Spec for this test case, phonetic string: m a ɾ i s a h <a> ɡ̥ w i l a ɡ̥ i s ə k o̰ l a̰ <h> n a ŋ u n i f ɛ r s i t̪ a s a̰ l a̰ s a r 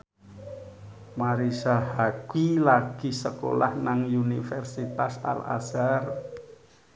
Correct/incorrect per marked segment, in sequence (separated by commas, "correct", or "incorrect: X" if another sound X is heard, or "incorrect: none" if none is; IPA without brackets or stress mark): correct, correct